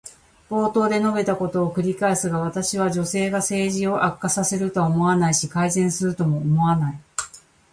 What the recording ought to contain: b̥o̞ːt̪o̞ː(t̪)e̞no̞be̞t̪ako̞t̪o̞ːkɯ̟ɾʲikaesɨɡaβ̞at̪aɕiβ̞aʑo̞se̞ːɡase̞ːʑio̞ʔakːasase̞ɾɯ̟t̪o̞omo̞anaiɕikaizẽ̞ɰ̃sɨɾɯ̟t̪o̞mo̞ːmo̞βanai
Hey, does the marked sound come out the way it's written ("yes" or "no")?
no